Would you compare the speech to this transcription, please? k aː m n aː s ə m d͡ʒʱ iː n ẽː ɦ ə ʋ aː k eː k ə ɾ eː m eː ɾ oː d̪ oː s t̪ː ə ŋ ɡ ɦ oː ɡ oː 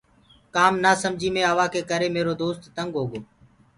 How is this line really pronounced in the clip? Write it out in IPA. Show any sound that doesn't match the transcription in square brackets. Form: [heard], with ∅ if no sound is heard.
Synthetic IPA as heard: k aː m n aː s ə m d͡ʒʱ iː [m] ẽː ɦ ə ʋ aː k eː k ə ɾ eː m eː ɾ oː d̪ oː s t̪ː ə ŋ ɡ ɦ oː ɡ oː